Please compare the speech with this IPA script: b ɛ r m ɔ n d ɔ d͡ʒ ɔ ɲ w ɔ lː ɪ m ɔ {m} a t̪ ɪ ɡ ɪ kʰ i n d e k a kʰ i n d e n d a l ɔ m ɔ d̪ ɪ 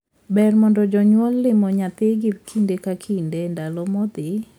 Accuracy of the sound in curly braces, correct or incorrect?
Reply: incorrect